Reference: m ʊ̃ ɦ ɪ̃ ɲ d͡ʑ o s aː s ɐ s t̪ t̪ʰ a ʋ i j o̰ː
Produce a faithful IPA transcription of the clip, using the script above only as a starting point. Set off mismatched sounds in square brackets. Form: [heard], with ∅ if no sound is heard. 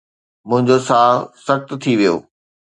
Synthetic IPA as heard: m ʊ̃ ɦ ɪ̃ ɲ d͡ʑ o s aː s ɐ [x] t̪ t̪ʰ [i] ʋ i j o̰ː

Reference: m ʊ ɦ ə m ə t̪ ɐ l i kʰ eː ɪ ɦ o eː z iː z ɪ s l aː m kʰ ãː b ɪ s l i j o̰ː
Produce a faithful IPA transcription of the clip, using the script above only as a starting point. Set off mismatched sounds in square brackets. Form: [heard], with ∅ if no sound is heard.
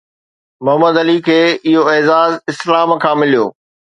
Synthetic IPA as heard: m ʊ ɦ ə m ə [d̪] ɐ l i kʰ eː ɪ ɦ o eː z [aː] z ɪ s l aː m kʰ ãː [m] ɪ [∅] l i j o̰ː

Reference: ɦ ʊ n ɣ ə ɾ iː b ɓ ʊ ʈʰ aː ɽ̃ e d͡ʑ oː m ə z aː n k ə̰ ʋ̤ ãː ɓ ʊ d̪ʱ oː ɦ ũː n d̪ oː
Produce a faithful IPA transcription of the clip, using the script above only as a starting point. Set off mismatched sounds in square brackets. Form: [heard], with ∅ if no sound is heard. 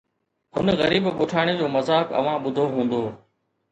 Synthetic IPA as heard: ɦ ʊ n ɣ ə ɾ iː b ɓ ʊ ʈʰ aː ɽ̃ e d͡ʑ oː m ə z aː [∅] k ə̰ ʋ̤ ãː ɓ ʊ d̪ʱ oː ɦ ũː n d̪ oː

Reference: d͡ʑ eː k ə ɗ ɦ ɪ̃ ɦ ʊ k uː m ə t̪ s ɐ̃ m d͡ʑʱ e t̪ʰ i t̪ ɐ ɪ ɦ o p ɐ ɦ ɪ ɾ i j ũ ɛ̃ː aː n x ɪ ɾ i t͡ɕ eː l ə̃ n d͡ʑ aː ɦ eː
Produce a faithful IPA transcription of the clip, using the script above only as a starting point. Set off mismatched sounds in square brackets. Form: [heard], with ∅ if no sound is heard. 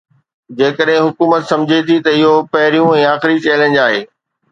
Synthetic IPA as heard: d͡ʑ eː k ə ɗ ɦ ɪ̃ ɦ ʊ k uː m ə t̪ s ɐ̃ m d͡ʑʱ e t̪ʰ i t̪ ɐ ɪ ɦ o p ɐ ɦ ɪ ɾ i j ũ ɛ̃ː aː [∅] x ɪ ɾ i t͡ɕ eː l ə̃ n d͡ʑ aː ɦ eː

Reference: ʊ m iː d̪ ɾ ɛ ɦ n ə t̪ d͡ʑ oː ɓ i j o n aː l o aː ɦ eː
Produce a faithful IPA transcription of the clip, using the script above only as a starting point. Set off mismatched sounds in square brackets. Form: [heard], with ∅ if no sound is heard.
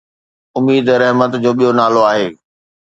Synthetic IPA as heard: ʊ m iː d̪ ɾ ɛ ɦ [m] ə t̪ d͡ʑ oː ɓ i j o n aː l o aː ɦ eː

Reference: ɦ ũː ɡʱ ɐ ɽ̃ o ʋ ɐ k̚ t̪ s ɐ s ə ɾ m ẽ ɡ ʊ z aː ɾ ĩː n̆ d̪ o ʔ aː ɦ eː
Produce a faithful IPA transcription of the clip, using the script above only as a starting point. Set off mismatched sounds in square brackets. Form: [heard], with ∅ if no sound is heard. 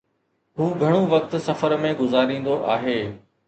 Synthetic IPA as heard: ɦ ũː ɡʱ ɐ ɽ̃ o ʋ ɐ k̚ t̪ s ɐ [f] ə ɾ m ẽ ɡ ʊ z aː ɾ ĩː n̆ d̪ o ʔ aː ɦ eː

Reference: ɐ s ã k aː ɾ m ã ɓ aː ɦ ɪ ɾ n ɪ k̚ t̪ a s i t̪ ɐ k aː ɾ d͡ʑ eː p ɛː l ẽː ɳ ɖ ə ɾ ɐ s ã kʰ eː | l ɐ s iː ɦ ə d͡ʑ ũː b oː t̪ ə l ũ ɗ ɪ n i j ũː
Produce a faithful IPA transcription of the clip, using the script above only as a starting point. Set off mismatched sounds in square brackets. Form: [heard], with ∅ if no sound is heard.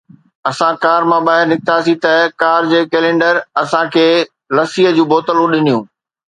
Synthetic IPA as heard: ɐ s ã k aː ɾ m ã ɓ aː ɦ ɪ ɾ n ɪ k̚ t̪ a s i t̪ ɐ k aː ɾ d͡ʑ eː [k] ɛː l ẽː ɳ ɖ ə ɾ ɐ s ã kʰ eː | l ɐ s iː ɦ ə d͡ʑ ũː b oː t̪ ə l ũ ɗ ɪ n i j ũː

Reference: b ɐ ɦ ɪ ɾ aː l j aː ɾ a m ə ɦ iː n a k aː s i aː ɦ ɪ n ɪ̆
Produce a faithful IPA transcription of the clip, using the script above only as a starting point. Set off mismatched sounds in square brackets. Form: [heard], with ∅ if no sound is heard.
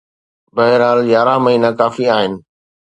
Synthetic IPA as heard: b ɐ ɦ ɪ ɾ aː l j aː ɾ a m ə ɦ iː n a k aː [f] i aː ɦ ɪ n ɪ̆

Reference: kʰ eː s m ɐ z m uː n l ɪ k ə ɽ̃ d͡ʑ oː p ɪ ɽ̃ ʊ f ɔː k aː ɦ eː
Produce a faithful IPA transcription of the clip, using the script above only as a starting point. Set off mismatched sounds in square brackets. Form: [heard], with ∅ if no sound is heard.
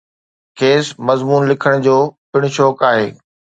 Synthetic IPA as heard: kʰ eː s m ɐ z m uː n l ɪ [kʰ] ə ɽ̃ d͡ʑ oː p ɪ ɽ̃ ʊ [ʃ] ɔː k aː ɦ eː

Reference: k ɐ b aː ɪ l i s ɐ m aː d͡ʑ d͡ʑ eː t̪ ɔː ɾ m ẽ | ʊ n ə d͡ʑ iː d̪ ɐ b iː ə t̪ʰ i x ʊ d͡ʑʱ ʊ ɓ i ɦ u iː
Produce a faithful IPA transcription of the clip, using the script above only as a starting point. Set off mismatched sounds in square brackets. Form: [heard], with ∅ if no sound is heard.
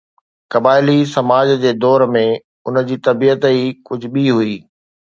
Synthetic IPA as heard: k ɐ b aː ɪ l i s ɐ m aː d͡ʑ d͡ʑ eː [d̪] ɔː ɾ m ẽ | ʊ n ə d͡ʑ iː [t̪] ɐ b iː ə [t̪] i [k] ʊ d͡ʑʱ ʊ ɓ i ɦ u iː

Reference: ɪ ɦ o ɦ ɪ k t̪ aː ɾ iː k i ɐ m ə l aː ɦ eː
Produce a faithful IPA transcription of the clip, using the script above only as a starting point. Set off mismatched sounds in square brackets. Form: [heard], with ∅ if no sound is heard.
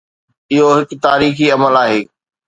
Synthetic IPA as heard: ɪ ɦ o ɦ ɪ k t̪ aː ɾ iː [x] i ɐ m ə l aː ɦ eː

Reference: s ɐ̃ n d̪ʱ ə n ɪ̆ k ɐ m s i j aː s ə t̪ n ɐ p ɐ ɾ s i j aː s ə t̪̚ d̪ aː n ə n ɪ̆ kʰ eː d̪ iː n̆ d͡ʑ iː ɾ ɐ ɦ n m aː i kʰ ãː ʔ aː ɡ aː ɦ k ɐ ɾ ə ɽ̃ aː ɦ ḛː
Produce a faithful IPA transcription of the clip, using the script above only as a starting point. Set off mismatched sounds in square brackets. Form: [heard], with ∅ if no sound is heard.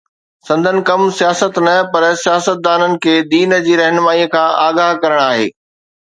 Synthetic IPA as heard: s ɐ̃ n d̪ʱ ə n ɪ̆ k ɐ m s i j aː s ə t̪ n ɐ p ɐ ɾ s i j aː s ə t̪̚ d̪ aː n ə n ɪ̆ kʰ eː d̪ iː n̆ d͡ʑ iː ɾ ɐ ɦ n m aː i kʰ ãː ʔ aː ɡ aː ɦ k ɐ ɾ ə ɽ̃ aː ɦ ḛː

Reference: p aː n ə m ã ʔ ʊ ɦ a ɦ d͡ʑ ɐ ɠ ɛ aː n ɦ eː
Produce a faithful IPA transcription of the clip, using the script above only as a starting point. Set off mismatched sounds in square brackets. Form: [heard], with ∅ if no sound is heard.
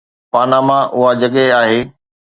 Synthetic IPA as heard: p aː n [a] m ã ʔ ʊ ɦ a [∅] d͡ʑ ɐ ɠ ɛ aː [∅] ɦ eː

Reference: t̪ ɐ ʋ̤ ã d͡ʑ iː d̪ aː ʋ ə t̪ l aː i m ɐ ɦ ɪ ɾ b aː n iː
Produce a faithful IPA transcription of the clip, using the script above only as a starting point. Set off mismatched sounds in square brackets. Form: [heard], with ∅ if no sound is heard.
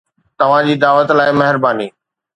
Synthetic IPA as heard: t̪ ɐ ʋ̤ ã d͡ʑ iː d̪ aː ʋ ə t̪ l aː [ɪ] m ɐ ɦ ɪ ɾ b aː n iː

